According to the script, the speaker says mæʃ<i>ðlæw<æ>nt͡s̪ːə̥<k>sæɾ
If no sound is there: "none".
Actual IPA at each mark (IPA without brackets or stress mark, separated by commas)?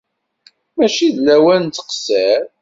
i, æ, q